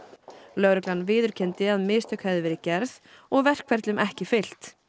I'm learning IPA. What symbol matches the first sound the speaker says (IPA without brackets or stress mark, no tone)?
l